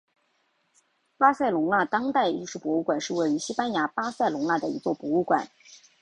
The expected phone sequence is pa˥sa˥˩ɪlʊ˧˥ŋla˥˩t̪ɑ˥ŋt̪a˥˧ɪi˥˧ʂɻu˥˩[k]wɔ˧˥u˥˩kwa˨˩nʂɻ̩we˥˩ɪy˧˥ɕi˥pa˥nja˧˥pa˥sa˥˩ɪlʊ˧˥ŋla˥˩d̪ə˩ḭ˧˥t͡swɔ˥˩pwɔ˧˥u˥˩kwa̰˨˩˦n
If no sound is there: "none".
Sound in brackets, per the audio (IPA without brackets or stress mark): p